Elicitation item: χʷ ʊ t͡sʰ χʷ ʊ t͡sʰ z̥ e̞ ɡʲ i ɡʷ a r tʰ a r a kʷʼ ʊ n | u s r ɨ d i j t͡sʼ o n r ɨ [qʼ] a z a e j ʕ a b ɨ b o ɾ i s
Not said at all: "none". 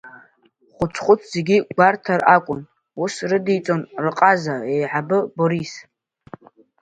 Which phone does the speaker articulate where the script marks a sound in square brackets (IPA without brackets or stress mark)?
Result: qʼ